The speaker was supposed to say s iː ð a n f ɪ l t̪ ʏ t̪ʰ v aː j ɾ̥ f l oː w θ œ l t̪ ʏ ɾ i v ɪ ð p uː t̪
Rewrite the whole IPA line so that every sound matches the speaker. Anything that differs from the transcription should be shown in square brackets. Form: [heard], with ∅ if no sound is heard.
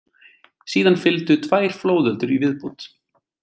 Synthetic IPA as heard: s iː ð a n f ɪ l t̪ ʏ t̪ʰ v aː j ɾ̥ f l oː w [ð] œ l t̪ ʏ ɾ i v ɪ ð p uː t̪